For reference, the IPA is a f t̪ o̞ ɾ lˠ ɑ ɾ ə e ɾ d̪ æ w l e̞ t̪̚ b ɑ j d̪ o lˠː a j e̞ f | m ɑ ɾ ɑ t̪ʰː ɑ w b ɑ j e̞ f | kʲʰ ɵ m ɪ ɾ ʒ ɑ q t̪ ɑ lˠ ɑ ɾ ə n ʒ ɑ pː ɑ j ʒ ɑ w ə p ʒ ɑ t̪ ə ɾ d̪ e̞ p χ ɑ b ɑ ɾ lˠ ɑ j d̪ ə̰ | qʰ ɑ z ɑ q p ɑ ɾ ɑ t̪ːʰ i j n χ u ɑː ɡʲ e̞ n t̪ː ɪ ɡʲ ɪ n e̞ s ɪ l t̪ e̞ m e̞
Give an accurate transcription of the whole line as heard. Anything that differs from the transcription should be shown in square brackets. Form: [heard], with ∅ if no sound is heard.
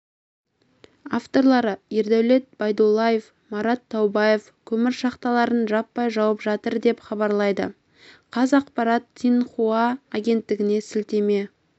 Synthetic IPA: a f t̪ o̞ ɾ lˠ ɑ ɾ ə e ɾ d̪ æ w l e̞ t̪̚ b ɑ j d̪ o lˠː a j e̞ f | m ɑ ɾ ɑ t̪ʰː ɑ w b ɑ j e̞ f | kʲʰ ɵ m ɪ ɾ [ʃ] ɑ q t̪ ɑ lˠ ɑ ɾ ə n ʒ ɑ pː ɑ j ʒ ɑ w ə p ʒ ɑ t̪ ə ɾ d̪ e̞ p χ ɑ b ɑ ɾ lˠ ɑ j d̪ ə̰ | qʰ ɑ z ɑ q p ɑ ɾ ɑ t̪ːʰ i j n χ u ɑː ɡʲ e̞ n t̪ː ɪ ɡʲ ɪ n e̞ s ɪ l t̪ e̞ m e̞

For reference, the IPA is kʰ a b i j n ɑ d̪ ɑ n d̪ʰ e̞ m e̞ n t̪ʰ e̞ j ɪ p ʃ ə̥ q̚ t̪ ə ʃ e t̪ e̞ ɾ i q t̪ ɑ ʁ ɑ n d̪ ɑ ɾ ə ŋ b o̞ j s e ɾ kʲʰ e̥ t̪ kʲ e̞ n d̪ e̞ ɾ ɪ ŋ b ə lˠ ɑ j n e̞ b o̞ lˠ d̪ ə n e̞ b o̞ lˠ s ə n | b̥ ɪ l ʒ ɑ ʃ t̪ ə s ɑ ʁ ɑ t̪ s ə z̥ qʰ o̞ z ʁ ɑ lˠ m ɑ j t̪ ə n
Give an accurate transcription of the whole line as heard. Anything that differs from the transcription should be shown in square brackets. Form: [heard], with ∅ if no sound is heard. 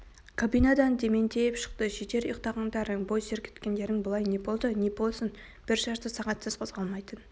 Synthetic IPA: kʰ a b i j n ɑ d̪ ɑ n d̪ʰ e̞ m e̞ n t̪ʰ e̞ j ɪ p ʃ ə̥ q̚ t̪ ə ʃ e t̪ e̞ ɾ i q t̪ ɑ ʁ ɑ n d̪ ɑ ɾ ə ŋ b o̞ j s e ɾ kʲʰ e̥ t̪ kʲ e̞ n d̪ e̞ ɾ ɪ ŋ b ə lˠ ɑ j n e̞ b o̞ lˠ d̪ ə n e̞ b o̞ lˠ s ə n | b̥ ɪ [ɾ] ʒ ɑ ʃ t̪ ə s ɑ ʁ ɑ t̪ s ə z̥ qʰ o̞ z ʁ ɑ lˠ m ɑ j t̪ ə n

